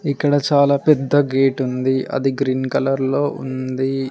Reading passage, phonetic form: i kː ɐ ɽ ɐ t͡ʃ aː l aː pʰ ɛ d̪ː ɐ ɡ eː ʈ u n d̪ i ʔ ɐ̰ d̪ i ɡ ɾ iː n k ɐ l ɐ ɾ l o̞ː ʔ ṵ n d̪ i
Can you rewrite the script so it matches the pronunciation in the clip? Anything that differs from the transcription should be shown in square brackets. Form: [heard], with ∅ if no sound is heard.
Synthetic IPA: i kː ɐ ɽ ɐ t͡ʃ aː l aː [p] ɛ d̪ː ɐ ɡ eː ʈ u n d̪ i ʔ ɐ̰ d̪ i ɡ ɾ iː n k ɐ l ɐ ɾ l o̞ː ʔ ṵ n d̪ i